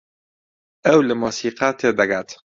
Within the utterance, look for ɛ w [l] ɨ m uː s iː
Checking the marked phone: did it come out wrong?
no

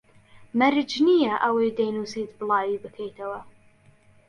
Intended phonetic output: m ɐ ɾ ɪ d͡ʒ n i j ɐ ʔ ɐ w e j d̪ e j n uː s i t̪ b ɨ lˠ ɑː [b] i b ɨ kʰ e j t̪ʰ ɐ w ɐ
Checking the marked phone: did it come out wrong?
yes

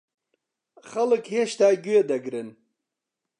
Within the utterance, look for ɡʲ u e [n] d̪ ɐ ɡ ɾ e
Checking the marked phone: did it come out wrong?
yes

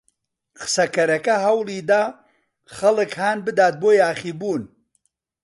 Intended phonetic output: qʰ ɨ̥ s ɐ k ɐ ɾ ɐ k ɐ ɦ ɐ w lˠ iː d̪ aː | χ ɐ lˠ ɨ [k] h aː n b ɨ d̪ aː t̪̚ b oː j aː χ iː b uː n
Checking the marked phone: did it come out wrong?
no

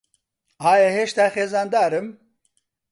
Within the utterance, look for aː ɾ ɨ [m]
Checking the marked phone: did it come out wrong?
no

